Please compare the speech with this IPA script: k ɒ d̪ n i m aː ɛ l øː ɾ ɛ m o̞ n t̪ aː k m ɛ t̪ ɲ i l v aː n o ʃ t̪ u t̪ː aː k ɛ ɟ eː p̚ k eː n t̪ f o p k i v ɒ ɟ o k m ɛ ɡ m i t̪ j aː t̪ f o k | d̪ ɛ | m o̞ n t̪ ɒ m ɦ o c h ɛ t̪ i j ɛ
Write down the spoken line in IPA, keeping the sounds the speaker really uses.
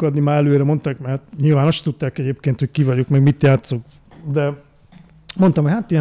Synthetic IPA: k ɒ d̪ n i m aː ɛ l øː ɾ ɛ m o̞ n t̪ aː k m ɛ t̪ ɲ i l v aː n o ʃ t̪ u t̪ː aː k ɛ ɟ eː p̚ k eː n t̪ h o c k i v ɒ ɟ o k m ɛ ɡ m i t̪ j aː t̪ s o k | d̪ ɛ | m o̞ n t̪ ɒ m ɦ o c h a t̪ i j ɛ